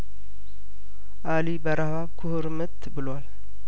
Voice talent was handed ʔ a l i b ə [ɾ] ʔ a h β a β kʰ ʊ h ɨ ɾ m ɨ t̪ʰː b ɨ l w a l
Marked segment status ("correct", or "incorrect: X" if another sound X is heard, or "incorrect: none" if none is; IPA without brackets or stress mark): correct